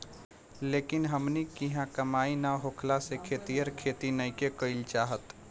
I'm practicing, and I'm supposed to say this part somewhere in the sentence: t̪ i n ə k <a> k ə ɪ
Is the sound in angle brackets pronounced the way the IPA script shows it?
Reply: no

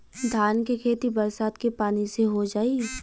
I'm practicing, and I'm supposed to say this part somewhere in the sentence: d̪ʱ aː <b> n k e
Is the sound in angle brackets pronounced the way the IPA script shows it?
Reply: no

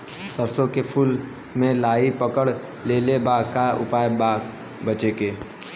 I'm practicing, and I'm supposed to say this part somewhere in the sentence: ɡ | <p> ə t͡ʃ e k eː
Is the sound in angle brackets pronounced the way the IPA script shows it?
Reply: no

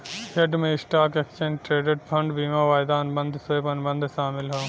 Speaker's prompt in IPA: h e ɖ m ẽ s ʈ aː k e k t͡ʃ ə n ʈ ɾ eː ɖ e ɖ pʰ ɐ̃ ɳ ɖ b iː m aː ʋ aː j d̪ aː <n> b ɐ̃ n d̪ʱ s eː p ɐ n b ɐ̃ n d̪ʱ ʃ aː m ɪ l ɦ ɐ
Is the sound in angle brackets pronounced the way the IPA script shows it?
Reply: yes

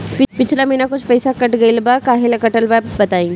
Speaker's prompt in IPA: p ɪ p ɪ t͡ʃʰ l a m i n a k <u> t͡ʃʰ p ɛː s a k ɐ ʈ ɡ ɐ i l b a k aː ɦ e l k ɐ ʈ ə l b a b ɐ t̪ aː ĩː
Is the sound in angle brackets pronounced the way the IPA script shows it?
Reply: no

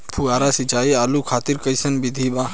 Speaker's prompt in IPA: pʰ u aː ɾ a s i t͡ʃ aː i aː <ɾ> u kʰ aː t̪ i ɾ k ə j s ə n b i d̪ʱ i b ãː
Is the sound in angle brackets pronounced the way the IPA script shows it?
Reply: no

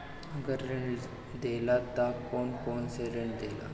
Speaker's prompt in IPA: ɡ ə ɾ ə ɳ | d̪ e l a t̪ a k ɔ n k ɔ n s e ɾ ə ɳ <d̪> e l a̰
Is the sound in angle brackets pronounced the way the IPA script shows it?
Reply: yes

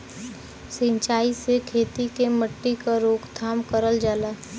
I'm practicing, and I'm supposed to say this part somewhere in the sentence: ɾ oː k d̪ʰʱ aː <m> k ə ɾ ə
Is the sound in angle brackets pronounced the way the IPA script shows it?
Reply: yes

